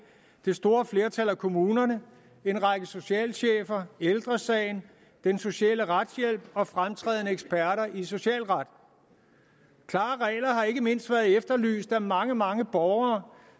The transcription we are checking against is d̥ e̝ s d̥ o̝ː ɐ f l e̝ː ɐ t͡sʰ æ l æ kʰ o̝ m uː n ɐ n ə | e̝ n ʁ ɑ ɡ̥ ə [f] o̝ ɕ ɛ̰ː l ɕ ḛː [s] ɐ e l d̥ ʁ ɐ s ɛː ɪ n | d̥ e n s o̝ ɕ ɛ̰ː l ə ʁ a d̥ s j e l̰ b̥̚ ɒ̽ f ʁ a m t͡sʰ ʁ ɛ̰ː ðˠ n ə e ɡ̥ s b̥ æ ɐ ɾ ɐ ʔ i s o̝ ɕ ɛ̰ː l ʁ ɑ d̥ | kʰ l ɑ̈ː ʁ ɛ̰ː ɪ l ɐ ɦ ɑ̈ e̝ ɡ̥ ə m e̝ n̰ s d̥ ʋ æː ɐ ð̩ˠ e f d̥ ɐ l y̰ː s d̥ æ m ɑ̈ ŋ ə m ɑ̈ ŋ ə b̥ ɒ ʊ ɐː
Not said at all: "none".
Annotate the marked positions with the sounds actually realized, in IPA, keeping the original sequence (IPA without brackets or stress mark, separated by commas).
s, f